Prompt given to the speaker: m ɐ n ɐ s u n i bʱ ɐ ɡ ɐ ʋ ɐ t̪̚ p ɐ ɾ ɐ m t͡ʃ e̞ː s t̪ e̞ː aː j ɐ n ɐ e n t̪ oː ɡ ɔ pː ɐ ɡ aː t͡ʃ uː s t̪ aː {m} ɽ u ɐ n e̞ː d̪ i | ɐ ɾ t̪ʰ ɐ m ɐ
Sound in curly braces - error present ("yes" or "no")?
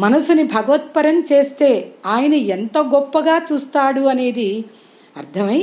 yes